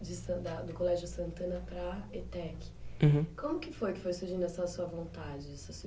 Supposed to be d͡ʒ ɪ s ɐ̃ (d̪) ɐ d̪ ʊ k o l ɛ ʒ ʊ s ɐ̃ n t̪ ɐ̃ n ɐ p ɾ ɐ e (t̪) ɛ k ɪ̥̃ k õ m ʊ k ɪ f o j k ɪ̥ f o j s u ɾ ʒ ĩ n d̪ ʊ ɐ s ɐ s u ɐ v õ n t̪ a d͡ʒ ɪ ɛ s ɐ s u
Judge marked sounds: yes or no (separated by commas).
yes, yes